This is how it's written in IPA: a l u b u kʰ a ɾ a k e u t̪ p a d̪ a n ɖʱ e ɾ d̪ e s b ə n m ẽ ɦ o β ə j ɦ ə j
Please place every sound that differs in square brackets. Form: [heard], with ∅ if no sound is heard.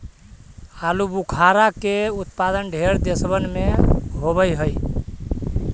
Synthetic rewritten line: a l u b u kʰ a ɾ a k e u t̪ p a d̪ [ə] n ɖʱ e ɾ d̪ e s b ə n m [e] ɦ o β ə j ɦ ə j